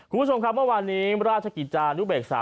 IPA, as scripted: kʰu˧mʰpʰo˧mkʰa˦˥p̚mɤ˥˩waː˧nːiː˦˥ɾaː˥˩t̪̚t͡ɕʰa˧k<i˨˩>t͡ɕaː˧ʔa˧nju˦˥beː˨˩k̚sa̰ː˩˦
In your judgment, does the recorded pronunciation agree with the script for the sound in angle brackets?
yes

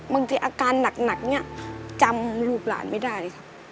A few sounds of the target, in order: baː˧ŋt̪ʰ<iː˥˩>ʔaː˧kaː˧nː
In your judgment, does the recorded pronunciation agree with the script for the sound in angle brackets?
no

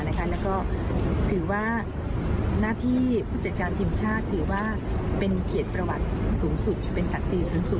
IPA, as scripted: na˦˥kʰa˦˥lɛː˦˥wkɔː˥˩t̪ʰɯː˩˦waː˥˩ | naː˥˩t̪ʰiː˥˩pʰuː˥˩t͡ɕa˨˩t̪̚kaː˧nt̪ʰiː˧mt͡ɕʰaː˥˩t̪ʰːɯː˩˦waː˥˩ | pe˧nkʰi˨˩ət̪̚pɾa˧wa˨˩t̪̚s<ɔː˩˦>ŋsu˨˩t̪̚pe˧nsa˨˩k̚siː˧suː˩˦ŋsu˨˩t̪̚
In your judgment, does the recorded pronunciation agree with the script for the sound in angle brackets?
no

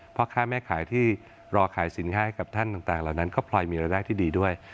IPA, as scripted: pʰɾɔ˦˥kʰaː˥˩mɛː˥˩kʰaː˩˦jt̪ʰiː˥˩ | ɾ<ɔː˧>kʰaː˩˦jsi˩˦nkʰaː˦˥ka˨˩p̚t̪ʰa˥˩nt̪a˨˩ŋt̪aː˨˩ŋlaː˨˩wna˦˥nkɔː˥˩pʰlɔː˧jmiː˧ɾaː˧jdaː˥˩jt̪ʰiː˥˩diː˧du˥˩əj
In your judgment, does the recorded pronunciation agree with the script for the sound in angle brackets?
yes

